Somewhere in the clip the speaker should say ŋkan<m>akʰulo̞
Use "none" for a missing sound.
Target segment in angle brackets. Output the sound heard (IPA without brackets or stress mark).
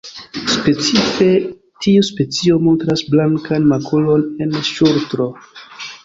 m